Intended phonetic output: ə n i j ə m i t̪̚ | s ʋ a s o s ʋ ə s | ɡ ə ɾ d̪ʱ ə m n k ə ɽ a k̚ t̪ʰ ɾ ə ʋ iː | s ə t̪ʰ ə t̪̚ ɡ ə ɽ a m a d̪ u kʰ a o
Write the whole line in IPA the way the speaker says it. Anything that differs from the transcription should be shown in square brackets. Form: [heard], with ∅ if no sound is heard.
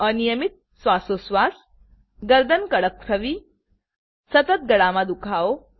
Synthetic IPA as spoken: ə n i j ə m i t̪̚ | s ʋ a s o s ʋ [a] s | ɡ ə ɾ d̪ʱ ə [∅] n k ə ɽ [ə] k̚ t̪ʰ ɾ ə ʋ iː | s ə [t̪] ə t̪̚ ɡ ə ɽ a m a d̪ u kʰ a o